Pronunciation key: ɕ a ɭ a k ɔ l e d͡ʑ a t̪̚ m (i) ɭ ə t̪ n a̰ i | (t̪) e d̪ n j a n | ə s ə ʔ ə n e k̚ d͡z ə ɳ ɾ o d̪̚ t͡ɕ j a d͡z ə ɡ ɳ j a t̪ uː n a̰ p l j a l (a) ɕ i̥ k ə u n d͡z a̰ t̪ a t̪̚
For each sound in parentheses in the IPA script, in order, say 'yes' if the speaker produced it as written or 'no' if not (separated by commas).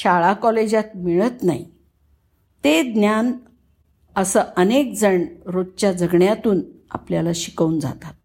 yes, yes, yes